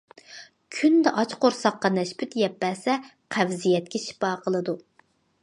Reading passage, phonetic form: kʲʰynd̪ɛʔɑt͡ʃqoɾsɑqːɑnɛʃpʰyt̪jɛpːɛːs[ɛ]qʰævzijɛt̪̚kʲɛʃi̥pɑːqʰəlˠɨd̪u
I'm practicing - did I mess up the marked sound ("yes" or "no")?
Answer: no